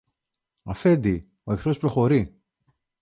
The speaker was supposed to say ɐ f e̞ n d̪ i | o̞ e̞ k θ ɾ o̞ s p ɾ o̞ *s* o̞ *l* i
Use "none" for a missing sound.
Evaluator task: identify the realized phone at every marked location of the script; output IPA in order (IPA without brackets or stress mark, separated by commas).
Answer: x, ɾ